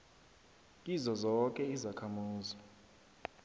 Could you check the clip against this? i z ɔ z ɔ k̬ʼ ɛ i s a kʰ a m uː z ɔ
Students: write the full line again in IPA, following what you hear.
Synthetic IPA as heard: i z ɔ z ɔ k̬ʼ ɛ i z a kʰ a m uː z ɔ